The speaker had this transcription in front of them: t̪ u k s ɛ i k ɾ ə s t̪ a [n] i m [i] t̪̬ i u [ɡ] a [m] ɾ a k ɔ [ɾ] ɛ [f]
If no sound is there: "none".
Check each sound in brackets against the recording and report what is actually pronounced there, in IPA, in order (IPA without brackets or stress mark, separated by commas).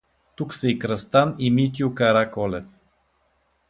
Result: n, i, k, none, l, f